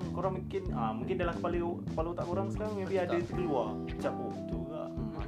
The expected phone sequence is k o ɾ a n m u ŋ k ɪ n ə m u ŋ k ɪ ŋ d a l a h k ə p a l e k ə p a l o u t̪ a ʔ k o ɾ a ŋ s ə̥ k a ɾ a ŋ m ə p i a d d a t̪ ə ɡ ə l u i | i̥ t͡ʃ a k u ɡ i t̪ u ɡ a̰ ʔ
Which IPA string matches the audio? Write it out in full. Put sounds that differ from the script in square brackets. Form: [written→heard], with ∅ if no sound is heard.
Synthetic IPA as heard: k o ɾ a [n→ŋ] m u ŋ k ɪ n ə m u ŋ k ɪ [ŋ→n] d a l a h k ə p a l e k ə p a l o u t̪ a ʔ k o ɾ a ŋ s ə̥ k a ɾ a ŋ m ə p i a d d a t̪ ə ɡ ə l u [i→a] | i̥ t͡ʃ a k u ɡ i t̪ u ɡ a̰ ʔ